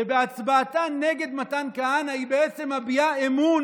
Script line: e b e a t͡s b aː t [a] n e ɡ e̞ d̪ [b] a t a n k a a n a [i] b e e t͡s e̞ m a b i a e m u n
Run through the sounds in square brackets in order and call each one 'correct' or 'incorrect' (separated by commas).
correct, incorrect, correct